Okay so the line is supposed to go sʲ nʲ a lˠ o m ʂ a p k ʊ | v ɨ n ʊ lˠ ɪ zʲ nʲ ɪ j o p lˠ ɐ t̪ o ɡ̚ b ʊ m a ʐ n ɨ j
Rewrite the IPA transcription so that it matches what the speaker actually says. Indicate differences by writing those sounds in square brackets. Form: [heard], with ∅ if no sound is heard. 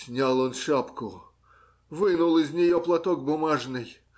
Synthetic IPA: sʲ nʲ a lˠ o [n] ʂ a p k ʊ | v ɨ n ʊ lˠ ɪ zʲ nʲ ɪ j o p lˠ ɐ t̪ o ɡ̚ b ʊ m a ʐ n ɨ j

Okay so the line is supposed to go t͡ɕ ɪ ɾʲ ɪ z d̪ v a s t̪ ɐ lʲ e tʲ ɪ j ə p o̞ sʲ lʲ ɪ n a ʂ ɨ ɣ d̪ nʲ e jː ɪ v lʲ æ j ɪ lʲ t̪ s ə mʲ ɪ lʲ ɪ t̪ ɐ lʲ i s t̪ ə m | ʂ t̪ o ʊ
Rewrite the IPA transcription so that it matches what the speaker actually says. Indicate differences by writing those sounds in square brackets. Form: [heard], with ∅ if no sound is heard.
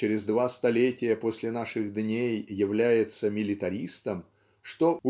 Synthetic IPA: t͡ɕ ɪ ɾʲ ɪ z d̪ v a s t̪ ɐ lʲ e tʲ ɪ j ə p o̞ sʲ lʲ ɪ n a ʂ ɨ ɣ d̪ nʲ e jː ɪ v lʲ æ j ɪ [∅] t̪ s ə mʲ ɪ lʲ ɪ t̪ ɐ [ɾʲ] i s t̪ ə m | ʂ t̪ o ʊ

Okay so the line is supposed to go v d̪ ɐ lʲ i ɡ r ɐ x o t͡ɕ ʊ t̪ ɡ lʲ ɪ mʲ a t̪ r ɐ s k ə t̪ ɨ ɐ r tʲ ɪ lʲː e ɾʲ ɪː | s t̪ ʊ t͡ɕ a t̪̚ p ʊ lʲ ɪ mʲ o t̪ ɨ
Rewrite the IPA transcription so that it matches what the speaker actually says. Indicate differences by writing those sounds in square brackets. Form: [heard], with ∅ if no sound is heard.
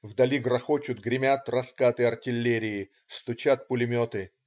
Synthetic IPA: v d̪ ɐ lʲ i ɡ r ɐ x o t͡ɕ ʊ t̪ ɡ [ɾʲ] ɪ mʲ a t̪ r ɐ s k [a] t̪ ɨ ɐ r tʲ ɪ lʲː e ɾʲ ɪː | s t̪ ʊ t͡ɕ a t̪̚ p ʊ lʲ ɪ mʲ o t̪ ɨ

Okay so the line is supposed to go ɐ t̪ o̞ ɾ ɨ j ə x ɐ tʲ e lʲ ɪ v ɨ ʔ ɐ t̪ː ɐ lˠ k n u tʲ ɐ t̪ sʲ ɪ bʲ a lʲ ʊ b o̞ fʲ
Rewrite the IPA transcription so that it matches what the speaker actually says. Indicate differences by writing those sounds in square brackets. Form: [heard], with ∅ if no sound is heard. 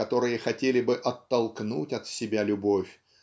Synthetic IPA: ɐ t̪ o̞ ɾ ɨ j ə x ɐ tʲ e lʲ ɪ [b] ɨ ʔ ɐ t̪ː ɐ lˠ k n u tʲ ɐ t̪ sʲ ɪ bʲ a lʲ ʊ b o̞ fʲ

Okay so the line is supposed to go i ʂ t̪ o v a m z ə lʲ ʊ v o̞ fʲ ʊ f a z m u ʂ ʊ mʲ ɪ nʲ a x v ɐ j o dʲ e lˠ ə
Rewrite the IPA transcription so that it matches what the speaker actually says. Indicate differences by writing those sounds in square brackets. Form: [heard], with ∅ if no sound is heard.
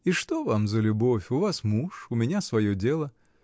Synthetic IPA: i ʂ t̪ o v a m z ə lʲ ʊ [b] o̞ fʲ ʊ [v] a [s] m u ʂ ʊ mʲ ɪ nʲ a [s] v ɐ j o dʲ e lˠ ə

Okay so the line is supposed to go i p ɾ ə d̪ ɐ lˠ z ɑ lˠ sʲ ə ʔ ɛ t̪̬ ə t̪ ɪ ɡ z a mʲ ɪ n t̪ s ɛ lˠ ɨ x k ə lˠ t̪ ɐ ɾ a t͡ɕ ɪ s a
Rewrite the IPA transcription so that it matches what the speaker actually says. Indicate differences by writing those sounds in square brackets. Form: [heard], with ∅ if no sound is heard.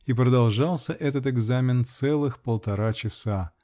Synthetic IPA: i p ɾ ə d̪ ɐ lˠ [ʐ] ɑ lˠ sʲ ə ʔ ɛ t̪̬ ə t̪ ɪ ɡ z a mʲ ɪ n t̪ s ɛ lˠ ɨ x [p] ə lˠ t̪ ɐ ɾ a t͡ɕ ɪ s a

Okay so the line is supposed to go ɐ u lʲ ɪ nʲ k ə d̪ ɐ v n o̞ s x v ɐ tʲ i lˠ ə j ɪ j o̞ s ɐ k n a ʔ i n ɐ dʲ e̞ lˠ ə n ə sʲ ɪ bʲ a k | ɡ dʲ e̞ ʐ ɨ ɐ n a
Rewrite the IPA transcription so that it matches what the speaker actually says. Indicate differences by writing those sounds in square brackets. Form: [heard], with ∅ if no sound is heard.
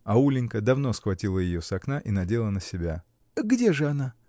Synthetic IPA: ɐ u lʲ ɪ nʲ k ə d̪ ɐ v n o̞ s x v ɐ tʲ i lˠ ə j ɪ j o̞ s ɐ k n a ʔ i n ɐ dʲ e̞ lˠ ə n ə sʲ ɪ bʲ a [∅] | ɡ dʲ e̞ ʐ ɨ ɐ n a

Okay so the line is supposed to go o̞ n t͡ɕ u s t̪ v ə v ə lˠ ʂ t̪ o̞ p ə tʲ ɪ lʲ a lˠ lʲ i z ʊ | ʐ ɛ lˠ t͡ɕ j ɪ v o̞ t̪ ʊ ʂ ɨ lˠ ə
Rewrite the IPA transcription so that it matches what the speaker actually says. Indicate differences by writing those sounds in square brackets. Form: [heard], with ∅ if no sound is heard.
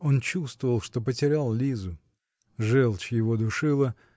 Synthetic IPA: o̞ n t͡ɕ u s t̪ v ə v ə lˠ ʂ t̪ o̞ p ə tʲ ɪ [ɾʲ] a lˠ lʲ i z ʊ | ʐ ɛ lˠ t͡ɕ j ɪ v o̞ [d̪] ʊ ʂ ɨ lˠ ə

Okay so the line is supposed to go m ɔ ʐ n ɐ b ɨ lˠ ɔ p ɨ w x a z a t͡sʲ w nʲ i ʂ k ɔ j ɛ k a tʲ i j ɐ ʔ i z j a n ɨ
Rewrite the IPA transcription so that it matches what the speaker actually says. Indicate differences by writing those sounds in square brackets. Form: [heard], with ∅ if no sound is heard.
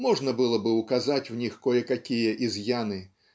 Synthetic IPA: m ɔ ʐ n ɐ b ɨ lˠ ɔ [b] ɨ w [k] a z a t͡sʲ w nʲ i [x] k ɔ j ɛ k a [kʲ] i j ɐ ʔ i z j a n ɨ

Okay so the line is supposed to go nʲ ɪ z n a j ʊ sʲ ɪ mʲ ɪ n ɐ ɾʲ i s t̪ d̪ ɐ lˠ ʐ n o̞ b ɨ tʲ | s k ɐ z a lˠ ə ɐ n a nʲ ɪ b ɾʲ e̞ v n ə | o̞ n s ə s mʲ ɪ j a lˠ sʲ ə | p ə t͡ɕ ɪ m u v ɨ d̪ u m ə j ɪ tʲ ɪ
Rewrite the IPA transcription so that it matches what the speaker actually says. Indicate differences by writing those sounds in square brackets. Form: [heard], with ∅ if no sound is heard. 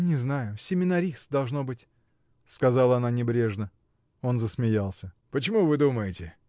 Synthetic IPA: nʲ ɪ z n a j ʊ sʲ ɪ mʲ ɪ n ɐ ɾʲ i s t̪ d̪ ɐ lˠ ʐ n o̞ b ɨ tʲ | s k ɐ z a lˠ ə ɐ n a nʲ ɪ b ɾʲ e̞ [ʐ] n ə | o̞ n [z] ə s mʲ ɪ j a lˠ sʲ ə | p ə t͡ɕ ɪ m u v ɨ d̪ u m ə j ɪ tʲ ɪ

